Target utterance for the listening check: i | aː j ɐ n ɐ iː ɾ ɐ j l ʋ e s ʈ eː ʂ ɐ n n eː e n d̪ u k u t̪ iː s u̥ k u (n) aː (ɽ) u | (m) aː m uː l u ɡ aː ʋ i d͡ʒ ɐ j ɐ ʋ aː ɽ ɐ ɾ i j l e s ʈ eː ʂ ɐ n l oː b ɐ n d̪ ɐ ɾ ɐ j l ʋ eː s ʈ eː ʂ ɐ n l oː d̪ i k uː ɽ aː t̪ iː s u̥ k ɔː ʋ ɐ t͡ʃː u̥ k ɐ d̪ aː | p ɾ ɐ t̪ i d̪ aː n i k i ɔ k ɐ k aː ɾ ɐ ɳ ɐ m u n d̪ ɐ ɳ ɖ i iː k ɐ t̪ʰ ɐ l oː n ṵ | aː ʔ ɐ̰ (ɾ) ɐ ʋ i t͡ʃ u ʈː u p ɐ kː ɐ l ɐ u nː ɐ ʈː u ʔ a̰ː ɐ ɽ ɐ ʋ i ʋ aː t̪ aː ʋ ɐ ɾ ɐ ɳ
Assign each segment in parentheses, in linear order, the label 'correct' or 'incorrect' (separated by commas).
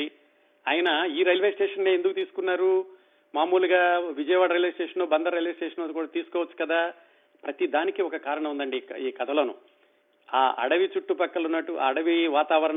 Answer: incorrect, incorrect, correct, incorrect